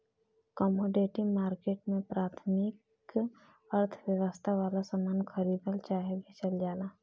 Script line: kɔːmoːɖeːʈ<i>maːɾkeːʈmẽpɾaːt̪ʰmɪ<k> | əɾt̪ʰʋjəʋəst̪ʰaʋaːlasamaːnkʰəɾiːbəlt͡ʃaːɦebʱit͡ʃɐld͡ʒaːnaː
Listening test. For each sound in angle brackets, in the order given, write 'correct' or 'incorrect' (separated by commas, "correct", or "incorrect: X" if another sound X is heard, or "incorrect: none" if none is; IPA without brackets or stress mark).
correct, correct